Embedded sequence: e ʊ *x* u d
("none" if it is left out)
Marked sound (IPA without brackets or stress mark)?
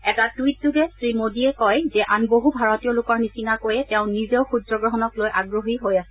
x